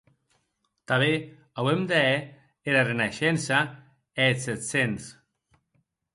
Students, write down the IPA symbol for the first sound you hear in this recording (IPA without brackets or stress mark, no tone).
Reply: t̪